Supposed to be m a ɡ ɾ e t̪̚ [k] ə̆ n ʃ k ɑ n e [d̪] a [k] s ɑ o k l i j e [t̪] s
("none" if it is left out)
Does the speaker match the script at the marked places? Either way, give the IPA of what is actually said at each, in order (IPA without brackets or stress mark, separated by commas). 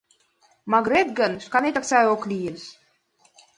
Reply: ɡ, t̪, k, none